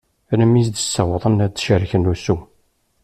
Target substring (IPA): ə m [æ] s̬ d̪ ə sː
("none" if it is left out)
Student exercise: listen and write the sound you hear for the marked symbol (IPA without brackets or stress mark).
i